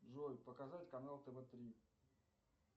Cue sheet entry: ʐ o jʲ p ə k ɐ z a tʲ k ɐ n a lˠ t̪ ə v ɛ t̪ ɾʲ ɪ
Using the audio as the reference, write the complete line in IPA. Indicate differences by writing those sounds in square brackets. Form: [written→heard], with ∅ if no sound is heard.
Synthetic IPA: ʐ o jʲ p ə k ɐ z a tʲ k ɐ n a lˠ t̪ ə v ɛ t̪ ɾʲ [ɪ→i]